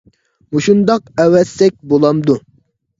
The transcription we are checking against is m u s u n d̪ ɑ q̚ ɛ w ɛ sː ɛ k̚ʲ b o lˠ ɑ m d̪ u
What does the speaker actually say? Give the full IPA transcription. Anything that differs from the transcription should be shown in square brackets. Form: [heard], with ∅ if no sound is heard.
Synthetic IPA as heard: m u [ʃ] u n d̪ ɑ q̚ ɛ w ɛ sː ɛ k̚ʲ b o lˠ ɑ m d̪ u